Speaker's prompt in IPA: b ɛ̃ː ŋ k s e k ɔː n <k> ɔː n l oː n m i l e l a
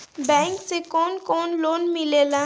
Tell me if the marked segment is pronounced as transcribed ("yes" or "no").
yes